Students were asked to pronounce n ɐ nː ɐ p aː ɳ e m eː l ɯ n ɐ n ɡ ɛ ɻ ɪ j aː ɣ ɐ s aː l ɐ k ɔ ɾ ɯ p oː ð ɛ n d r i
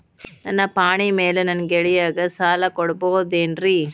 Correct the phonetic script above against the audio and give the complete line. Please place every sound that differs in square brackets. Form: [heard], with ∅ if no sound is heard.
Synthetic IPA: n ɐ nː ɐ p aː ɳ [i] m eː l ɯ n ɐ n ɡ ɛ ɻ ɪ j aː ɣ ɐ s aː l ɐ k ɔ [ɽ] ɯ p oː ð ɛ n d r i